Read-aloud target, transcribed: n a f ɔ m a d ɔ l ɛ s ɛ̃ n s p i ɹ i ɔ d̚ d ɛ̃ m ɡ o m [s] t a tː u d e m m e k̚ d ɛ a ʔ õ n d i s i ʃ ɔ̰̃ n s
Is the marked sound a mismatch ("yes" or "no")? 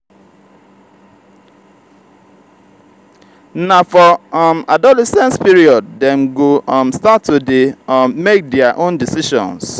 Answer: no